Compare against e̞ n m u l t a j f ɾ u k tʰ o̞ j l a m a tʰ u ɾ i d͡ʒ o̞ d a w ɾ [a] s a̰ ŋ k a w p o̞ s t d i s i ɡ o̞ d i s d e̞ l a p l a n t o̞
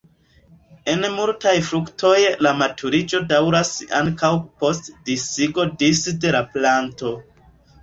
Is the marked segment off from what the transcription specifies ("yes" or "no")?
no